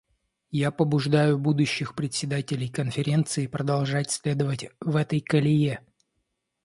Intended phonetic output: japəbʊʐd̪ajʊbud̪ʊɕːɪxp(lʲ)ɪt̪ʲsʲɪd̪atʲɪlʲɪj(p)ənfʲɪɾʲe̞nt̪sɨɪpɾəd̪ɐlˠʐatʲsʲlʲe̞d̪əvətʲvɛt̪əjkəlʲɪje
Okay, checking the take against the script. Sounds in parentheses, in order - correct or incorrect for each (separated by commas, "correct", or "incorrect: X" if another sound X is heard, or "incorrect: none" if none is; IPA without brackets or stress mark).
incorrect: ɾʲ, incorrect: k